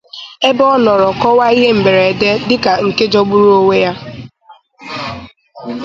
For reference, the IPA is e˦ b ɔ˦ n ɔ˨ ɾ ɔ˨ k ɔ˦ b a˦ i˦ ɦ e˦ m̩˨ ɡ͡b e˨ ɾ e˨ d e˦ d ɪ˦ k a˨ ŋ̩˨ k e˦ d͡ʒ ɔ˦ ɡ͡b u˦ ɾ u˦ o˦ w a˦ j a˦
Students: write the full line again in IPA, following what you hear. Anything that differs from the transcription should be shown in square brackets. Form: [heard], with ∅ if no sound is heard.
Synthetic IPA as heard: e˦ b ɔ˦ n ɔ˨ ɾ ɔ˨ k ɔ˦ [w] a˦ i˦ ɦ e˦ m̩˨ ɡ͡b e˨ ɾ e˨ d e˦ d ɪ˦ k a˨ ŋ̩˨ k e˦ d͡ʒ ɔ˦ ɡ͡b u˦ ɾ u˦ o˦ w [e˦] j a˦